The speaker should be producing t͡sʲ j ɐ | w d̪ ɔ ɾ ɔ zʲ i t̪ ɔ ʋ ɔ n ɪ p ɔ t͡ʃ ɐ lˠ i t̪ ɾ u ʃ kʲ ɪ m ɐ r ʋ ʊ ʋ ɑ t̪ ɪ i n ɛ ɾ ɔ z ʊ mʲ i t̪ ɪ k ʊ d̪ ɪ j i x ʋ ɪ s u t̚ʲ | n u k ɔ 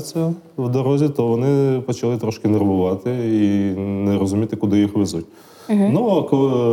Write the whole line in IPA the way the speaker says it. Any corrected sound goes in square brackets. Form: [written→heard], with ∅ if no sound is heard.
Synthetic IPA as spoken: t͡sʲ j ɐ | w d̪ ɔ ɾ ɔ zʲ i t̪ ɔ ʋ ɔ n ɪ p ɔ t͡ʃ ɐ lˠ [i→ɪ] t̪ ɾ [u→ɔ] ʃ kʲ ɪ [m→n] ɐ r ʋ ʊ ʋ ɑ t̪ ɪ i n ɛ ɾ ɔ z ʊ mʲ i t̪ ɪ k ʊ d̪ ɪ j i x ʋ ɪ [s→z] u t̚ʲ | n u k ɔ